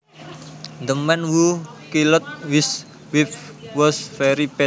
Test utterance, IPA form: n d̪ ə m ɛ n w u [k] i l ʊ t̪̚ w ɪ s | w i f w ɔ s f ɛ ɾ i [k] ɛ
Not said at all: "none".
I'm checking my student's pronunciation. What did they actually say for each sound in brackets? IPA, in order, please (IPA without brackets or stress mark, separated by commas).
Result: k, p